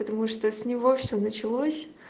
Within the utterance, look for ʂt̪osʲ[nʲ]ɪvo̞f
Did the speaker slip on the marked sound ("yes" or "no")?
no